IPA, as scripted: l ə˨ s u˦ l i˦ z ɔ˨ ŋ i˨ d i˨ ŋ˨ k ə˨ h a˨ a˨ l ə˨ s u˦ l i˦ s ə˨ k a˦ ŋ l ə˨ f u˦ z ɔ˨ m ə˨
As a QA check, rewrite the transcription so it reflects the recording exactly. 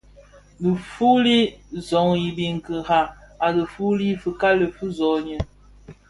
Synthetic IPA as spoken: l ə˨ f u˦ l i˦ z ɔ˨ ŋ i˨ b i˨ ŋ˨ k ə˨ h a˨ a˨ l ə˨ f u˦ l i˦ f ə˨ k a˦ l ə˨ f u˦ z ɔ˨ ɲ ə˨